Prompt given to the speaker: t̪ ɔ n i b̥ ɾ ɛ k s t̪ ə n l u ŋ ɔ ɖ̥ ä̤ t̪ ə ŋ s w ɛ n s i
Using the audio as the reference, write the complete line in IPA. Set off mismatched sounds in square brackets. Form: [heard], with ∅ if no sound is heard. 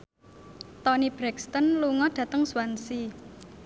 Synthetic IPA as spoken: t̪ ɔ n i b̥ ɾ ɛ k s t̪ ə n l u ŋ ɔ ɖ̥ ä̤ t̪ ə ŋ s w [a] n s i